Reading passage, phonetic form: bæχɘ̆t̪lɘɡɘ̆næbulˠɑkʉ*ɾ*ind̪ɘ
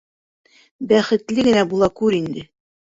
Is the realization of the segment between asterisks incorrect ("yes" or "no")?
no